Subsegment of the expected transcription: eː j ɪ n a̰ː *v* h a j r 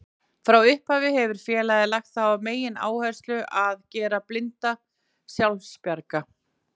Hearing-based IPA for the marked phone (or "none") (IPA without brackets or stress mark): w